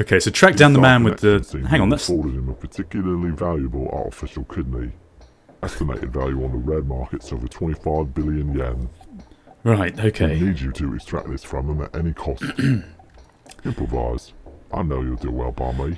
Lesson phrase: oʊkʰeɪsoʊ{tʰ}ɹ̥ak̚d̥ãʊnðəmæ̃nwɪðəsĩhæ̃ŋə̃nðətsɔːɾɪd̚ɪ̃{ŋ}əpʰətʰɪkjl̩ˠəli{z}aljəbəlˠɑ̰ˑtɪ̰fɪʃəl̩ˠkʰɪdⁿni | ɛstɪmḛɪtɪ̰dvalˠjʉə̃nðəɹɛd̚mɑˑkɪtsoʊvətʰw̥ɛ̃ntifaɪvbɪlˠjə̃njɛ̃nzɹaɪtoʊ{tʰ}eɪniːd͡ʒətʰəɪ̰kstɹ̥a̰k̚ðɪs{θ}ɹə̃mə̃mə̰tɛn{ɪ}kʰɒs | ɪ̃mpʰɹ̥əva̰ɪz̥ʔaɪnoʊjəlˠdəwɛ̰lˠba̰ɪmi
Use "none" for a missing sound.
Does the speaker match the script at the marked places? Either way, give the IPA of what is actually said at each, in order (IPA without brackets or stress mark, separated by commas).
tʰ, m, v, kʰ, f, i